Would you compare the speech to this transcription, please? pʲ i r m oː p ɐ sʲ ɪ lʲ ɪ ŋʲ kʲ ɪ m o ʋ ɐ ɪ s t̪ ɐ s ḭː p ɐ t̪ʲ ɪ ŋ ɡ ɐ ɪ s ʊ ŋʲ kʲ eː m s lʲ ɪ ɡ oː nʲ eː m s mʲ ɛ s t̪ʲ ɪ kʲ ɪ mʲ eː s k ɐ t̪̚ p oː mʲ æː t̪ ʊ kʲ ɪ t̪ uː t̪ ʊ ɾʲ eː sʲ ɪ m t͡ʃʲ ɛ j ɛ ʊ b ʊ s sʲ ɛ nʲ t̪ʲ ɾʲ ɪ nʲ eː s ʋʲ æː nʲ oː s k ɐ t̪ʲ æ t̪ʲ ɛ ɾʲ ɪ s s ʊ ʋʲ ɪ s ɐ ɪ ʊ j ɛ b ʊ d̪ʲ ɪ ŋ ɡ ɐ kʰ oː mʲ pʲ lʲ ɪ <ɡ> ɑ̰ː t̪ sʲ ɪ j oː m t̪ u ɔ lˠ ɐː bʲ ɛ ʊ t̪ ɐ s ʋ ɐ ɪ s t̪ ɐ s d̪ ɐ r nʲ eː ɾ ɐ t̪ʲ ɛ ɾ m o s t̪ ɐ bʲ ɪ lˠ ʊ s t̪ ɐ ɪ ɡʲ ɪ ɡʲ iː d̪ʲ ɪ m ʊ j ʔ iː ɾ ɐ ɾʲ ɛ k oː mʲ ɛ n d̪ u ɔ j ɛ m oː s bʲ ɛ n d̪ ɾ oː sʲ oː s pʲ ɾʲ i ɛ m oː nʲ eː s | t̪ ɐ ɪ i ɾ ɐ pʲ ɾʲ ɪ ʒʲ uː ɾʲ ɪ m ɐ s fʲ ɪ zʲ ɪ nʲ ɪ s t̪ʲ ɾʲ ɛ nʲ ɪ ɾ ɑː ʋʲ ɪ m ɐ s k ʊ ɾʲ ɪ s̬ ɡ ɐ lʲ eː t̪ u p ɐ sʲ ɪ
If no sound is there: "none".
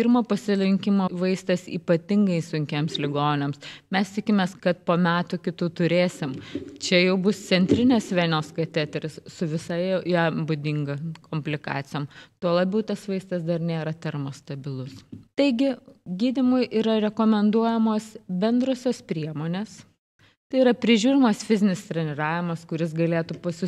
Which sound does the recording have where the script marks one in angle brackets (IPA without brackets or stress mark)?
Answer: k